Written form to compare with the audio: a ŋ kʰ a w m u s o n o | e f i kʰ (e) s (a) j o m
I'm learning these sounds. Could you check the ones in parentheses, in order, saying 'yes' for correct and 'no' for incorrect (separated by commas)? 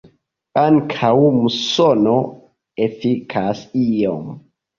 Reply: no, no